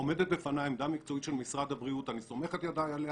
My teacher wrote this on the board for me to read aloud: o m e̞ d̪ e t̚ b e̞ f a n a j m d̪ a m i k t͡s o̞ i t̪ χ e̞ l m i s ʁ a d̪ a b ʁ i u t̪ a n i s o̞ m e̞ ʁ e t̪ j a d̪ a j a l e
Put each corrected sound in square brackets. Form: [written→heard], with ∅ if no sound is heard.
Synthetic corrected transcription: o m e̞ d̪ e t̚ b e̞ f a n a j m d̪ a m i k t͡s o̞ i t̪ [χ→ʃ] e̞ l m i s ʁ a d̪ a b ʁ i u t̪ a n i s o̞ m e̞ [ʁ→χ] e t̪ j a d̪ a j a l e